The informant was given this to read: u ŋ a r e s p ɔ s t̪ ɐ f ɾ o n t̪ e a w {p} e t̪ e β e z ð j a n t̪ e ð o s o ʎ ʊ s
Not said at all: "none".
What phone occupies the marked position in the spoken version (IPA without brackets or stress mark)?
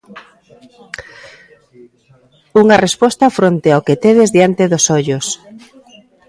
k